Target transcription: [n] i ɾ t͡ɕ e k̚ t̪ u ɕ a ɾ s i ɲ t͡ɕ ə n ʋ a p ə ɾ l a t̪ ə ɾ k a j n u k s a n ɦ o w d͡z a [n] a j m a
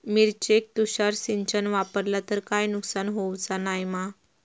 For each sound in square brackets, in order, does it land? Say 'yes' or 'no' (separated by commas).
no, yes